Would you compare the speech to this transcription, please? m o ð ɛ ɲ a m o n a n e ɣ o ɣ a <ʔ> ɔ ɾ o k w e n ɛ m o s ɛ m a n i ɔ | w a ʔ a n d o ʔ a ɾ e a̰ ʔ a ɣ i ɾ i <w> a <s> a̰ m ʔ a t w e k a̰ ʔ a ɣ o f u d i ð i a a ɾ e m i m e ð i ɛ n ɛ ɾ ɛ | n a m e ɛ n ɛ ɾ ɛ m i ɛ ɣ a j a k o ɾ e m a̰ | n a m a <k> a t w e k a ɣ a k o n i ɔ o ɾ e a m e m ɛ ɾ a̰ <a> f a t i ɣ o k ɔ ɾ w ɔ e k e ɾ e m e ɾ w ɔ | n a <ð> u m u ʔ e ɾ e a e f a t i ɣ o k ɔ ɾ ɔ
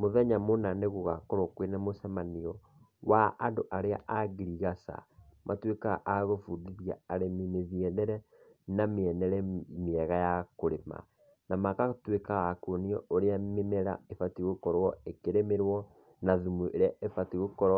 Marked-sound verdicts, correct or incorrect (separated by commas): incorrect, incorrect, correct, correct, incorrect, correct